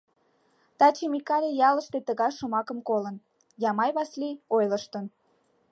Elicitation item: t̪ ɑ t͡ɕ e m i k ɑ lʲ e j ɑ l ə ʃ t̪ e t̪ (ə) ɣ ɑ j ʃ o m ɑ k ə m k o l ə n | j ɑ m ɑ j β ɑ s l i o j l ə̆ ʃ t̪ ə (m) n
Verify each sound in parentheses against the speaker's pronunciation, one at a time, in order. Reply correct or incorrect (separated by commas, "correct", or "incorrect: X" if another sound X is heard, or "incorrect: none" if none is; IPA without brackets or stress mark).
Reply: correct, incorrect: none